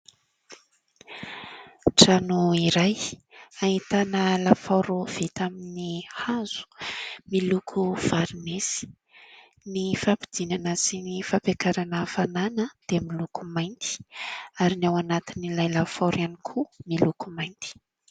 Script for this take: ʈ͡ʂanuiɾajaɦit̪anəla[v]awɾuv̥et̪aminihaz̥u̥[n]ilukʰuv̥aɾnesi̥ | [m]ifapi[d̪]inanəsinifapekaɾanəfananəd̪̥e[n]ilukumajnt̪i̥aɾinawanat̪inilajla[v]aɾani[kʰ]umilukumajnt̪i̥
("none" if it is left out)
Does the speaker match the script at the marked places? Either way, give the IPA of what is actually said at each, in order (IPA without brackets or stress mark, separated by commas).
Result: f, m, n, d̪, m, f, kʰ